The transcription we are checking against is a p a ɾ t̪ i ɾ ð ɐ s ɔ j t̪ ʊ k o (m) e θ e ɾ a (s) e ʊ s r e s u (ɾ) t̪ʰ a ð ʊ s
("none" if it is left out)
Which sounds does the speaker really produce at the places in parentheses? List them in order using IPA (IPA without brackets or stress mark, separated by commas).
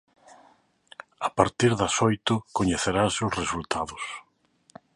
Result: ɲ, s, l